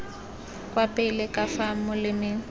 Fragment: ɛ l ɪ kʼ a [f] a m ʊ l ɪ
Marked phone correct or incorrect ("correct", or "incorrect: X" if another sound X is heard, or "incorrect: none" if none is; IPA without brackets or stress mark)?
correct